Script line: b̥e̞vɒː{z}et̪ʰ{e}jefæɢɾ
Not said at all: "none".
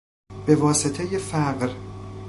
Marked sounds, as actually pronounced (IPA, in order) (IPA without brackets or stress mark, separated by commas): s, e